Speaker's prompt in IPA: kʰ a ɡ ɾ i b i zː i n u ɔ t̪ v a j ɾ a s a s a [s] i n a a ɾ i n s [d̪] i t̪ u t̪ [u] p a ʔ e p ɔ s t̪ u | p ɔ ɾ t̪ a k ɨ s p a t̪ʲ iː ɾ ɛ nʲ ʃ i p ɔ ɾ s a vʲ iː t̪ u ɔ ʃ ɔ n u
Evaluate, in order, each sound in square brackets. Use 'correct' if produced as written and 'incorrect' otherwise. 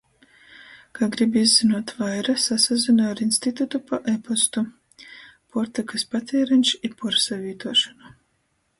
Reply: incorrect, incorrect, correct

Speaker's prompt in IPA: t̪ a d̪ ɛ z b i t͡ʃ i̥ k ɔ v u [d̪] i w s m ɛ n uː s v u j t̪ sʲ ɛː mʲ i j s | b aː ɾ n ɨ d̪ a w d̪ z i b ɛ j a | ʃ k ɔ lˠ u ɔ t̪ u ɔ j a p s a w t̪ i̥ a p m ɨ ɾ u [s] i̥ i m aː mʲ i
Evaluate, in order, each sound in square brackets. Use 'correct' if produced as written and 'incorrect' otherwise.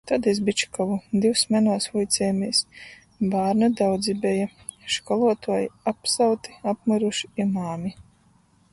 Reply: correct, incorrect

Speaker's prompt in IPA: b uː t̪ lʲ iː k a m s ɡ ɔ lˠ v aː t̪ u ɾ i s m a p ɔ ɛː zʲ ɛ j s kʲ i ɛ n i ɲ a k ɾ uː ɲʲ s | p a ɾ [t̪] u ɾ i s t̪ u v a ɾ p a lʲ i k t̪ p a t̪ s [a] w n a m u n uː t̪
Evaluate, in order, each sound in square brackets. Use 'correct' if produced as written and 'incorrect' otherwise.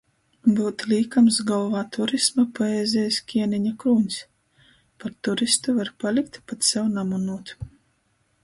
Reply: correct, incorrect

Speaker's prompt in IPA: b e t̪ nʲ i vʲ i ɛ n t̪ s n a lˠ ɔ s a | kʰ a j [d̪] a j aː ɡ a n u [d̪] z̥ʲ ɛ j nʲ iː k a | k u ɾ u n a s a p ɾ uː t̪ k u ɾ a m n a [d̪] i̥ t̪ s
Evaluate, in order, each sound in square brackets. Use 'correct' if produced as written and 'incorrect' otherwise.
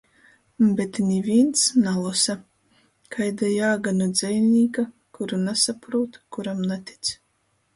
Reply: correct, correct, incorrect

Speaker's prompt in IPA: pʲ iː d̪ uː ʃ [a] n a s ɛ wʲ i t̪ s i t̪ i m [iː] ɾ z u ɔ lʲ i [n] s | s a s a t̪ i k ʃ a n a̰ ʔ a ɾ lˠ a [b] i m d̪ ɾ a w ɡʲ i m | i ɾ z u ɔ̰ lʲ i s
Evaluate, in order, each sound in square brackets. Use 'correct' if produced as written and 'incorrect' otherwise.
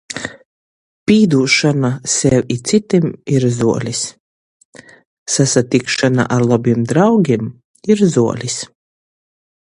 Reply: correct, incorrect, incorrect, correct

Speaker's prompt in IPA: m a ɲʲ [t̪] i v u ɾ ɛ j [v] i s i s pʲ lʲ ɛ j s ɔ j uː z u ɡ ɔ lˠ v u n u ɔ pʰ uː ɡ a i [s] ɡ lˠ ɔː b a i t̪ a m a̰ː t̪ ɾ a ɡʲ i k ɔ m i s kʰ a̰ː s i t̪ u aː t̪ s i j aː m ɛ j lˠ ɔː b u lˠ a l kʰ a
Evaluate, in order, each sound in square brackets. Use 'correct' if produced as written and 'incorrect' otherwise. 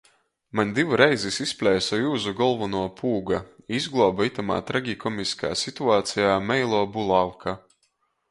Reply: incorrect, incorrect, incorrect

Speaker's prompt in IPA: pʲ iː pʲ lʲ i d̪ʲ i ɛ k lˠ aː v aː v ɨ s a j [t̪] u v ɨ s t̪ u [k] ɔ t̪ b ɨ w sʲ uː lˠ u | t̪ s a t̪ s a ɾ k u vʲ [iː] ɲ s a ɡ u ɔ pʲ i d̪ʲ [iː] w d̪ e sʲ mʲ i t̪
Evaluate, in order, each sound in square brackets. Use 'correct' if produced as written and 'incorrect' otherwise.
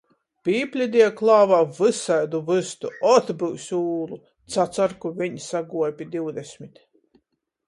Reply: incorrect, incorrect, incorrect, incorrect

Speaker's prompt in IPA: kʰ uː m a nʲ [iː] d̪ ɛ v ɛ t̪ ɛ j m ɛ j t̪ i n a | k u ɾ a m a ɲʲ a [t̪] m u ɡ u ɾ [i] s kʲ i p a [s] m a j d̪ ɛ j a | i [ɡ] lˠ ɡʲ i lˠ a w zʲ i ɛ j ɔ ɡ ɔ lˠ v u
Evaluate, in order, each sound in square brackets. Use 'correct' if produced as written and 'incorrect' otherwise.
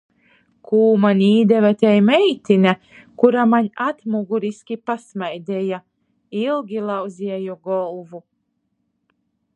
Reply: correct, correct, correct, correct, incorrect

